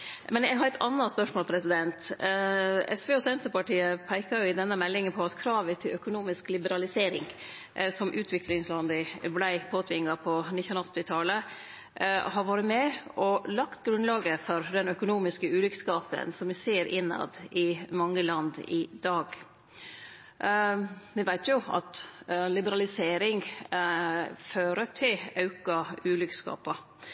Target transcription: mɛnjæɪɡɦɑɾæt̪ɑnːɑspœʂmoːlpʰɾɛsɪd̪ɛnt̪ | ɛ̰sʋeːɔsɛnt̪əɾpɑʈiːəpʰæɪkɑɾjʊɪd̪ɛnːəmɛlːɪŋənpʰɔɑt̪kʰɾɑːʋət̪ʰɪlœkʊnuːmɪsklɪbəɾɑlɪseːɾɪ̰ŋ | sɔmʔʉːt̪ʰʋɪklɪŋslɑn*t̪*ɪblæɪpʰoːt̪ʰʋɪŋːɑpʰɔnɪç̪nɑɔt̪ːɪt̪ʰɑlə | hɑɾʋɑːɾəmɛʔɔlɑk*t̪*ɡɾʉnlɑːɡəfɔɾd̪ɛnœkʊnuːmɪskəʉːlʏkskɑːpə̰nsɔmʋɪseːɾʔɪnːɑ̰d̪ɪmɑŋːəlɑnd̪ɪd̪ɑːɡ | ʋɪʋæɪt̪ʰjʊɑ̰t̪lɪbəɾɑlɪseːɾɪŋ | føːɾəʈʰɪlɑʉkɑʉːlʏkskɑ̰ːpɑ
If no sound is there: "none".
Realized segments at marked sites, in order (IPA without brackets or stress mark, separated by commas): d̪, t̪